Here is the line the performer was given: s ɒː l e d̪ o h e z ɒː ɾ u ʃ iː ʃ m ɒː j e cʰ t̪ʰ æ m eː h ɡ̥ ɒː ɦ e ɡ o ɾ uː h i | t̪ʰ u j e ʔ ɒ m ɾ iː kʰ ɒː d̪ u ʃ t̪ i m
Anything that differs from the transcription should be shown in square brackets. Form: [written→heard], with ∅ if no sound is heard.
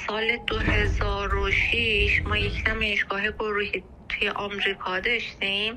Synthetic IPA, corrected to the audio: s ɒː l e d̪ o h e z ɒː ɾ [u→o] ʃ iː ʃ m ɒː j e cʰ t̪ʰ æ m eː [h→ʃ] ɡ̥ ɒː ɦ e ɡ o ɾ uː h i | t̪ʰ u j e ʔ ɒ m ɾ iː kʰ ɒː d̪ [u→ɒ] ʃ t̪ i m